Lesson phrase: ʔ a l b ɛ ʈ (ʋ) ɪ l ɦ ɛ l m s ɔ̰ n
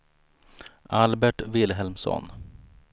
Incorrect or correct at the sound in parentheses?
incorrect: v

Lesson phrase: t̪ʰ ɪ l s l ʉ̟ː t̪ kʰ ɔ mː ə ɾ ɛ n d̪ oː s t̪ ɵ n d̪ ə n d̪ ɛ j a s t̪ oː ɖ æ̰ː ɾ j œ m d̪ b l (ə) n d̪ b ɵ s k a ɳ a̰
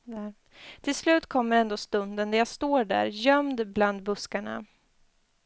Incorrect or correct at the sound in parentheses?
incorrect: a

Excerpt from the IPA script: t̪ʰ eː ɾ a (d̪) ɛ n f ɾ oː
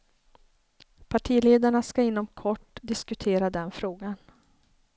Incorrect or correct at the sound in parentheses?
correct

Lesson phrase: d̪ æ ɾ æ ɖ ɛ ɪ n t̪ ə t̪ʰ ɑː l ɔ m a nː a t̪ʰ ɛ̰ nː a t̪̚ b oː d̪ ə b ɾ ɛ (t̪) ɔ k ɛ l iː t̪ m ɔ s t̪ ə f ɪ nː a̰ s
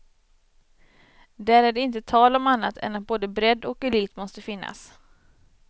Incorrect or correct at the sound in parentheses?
incorrect: d̪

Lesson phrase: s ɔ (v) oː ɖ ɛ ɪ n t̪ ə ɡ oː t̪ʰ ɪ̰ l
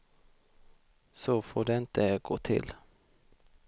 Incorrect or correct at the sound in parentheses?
incorrect: f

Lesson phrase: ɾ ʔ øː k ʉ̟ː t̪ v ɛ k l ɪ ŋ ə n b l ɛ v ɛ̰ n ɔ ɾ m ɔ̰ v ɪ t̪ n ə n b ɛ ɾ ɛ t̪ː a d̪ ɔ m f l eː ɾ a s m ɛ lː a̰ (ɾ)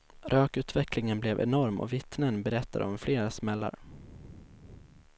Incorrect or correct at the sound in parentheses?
correct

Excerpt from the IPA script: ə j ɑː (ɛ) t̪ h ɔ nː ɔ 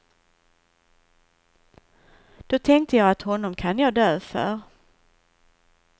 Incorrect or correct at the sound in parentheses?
incorrect: a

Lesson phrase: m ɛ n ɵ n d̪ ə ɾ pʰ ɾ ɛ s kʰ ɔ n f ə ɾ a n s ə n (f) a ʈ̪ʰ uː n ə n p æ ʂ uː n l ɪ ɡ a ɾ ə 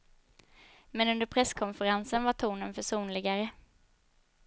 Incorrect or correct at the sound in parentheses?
incorrect: v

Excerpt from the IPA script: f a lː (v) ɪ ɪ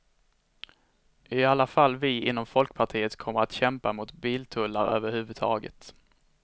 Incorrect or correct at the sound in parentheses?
correct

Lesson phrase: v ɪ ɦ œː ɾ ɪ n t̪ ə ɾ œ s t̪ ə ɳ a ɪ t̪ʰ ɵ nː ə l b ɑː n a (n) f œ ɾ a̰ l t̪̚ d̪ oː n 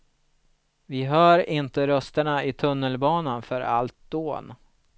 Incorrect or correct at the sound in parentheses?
correct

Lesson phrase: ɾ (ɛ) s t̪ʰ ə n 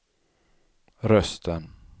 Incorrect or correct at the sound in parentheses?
incorrect: œ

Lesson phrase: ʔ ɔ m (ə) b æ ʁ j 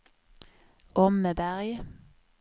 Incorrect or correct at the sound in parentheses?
correct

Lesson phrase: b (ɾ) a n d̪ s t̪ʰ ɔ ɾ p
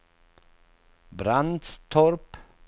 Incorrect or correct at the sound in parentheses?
correct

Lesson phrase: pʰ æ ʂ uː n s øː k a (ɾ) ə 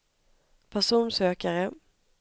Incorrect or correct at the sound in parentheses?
correct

